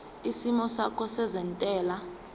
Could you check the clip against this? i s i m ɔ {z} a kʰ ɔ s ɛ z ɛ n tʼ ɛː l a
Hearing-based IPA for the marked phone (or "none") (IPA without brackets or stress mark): s